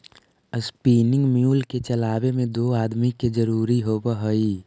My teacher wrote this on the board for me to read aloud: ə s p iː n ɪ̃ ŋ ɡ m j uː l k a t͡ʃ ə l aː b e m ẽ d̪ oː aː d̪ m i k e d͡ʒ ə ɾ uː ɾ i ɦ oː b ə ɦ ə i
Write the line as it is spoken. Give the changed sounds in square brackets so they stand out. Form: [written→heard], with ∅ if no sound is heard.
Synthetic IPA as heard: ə s p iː n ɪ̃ ŋ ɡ m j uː l k [a→e] t͡ʃ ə l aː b e m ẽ d̪ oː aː d̪ m i k e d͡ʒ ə ɾ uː ɾ i ɦ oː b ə ɦ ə i